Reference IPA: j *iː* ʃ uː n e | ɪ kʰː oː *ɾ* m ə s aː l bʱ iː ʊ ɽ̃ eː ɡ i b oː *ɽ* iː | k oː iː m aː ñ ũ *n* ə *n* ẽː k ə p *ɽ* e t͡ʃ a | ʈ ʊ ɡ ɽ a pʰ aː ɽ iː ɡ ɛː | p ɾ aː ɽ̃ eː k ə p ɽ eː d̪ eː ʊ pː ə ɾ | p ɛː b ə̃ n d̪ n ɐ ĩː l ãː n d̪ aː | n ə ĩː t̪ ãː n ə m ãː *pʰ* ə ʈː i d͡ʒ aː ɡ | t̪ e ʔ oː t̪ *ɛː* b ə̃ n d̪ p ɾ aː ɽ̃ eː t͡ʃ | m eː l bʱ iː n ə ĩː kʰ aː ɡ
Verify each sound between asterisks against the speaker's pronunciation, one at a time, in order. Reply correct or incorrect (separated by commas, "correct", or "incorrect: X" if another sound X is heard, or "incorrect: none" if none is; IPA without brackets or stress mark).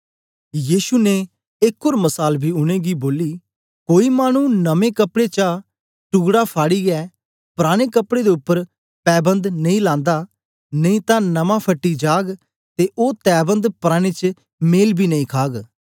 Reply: correct, correct, incorrect: l, correct, incorrect: m, correct, correct, correct